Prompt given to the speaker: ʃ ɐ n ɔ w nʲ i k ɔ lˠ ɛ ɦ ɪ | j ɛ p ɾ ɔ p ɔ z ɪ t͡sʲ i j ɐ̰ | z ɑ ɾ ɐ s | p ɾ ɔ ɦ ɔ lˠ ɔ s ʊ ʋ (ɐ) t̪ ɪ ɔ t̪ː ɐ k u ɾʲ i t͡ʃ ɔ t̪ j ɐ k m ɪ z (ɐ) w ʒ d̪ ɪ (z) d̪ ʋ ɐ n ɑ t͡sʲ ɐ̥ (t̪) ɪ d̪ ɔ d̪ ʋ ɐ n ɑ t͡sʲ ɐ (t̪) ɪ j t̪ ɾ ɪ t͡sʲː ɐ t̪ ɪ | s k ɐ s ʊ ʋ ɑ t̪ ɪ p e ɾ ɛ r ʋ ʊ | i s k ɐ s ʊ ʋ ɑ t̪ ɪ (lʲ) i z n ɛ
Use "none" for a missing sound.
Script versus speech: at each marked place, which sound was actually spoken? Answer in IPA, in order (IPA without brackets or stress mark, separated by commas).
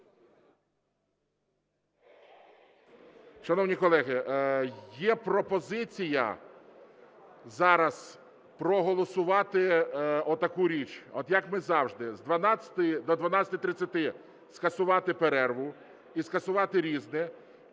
ɑ, ɑ, z, t̪, t̪, ɾʲ